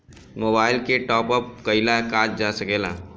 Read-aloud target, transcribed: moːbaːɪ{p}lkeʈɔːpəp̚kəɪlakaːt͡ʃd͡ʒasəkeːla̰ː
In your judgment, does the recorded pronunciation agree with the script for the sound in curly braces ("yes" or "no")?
no